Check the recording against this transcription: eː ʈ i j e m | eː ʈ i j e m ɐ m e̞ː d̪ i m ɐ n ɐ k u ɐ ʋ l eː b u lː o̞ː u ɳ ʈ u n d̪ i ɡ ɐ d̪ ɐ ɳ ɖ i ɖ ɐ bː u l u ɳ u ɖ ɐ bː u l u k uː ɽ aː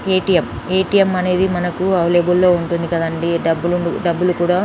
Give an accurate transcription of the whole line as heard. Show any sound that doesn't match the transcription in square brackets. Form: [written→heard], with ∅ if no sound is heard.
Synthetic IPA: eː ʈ i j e m | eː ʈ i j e m ɐ [m→n] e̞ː d̪ i m ɐ n ɐ k u ɐ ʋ l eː b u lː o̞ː u ɳ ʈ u n d̪ i [ɡ→k] ɐ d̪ ɐ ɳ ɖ i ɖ ɐ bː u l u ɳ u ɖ ɐ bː u l u k uː ɽ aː